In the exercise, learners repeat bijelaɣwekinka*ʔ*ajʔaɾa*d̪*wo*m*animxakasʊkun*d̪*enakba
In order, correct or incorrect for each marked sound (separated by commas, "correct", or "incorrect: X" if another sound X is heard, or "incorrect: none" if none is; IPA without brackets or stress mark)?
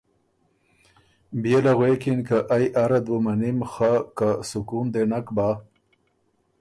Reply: correct, correct, correct, correct